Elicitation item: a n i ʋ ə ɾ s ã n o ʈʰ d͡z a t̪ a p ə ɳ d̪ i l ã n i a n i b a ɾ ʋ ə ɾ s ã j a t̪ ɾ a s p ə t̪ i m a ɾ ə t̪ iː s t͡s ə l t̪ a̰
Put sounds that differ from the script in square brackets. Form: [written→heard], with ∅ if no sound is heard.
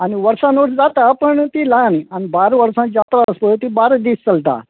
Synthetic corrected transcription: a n i ʋ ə ɾ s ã n o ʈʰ d͡z a t̪ a p ə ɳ [d̪→t̪] i l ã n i a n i b a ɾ ʋ ə ɾ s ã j a t̪ ɾ a s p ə t̪ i [m→b] a ɾ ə [t̪→d̪] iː s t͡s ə l t̪ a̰